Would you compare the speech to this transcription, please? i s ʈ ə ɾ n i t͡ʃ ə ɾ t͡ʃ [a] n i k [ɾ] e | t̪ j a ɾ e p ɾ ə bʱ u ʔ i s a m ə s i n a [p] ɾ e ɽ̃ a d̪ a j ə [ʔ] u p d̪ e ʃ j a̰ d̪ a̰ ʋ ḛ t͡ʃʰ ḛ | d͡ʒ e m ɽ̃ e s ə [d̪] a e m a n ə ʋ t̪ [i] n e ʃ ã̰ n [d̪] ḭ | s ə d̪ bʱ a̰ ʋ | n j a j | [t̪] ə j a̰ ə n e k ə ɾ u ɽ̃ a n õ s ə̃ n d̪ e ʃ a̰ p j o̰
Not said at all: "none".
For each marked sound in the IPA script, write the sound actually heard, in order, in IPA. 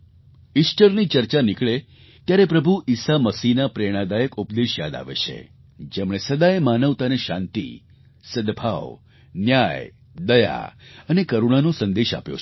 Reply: a, ɭ, p, k, d̪, a, t̪, d̪

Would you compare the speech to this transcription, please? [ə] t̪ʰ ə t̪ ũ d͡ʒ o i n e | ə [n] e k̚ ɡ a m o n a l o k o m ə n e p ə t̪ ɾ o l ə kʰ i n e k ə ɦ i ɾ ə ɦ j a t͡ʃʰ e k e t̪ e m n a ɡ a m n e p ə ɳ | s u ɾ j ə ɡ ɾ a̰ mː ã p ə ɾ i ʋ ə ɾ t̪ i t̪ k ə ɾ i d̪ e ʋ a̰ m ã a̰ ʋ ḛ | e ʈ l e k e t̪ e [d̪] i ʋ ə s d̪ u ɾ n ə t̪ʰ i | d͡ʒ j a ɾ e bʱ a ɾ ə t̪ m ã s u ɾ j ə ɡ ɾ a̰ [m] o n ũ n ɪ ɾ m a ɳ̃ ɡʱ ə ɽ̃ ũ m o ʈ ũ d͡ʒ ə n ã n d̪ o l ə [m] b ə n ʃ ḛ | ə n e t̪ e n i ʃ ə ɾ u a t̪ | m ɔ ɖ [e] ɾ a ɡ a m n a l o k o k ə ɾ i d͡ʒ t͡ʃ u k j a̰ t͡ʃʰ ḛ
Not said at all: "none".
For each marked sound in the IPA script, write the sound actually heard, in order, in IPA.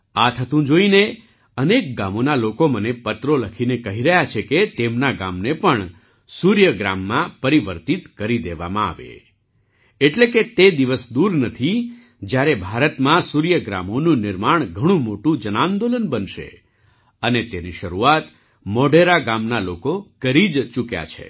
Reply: a, n, d̪, m, n, e

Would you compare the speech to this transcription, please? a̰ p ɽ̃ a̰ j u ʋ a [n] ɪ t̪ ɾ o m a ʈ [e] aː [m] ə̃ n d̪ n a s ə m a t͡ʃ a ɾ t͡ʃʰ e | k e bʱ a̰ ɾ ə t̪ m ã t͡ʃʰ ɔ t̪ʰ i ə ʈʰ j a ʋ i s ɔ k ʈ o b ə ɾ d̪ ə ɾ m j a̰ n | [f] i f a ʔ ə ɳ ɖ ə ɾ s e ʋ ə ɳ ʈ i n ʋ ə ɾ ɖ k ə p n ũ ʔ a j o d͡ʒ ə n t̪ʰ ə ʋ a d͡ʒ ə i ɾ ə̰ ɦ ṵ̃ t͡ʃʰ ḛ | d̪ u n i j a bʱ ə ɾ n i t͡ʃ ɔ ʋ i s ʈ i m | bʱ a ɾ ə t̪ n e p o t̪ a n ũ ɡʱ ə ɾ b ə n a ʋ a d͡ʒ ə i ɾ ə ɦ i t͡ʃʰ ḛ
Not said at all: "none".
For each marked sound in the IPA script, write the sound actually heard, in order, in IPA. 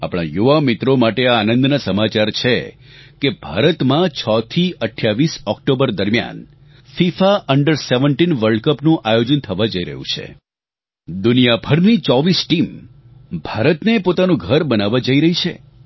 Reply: m, e, n, f

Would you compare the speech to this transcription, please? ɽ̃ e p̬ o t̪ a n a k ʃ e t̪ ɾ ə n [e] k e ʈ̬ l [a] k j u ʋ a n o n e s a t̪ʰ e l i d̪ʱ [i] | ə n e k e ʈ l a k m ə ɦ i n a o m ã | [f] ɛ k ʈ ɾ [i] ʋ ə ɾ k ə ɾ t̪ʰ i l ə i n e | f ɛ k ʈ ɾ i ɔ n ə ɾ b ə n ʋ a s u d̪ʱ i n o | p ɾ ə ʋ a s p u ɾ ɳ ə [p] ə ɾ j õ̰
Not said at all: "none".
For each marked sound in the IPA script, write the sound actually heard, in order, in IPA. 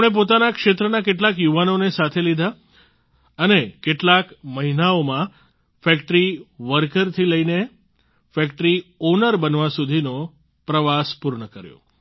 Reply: a, a, a, f, i, k

